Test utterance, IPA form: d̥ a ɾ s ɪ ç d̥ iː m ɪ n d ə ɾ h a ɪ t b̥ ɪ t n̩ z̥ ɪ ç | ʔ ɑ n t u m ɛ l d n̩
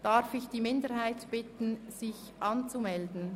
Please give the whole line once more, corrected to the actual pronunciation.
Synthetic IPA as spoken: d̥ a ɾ f ɪ ç d̥ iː m ɪ n d ə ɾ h a ɪ t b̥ ɪ t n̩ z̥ ɪ ç | ʔ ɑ n t͡s u m ɛ l d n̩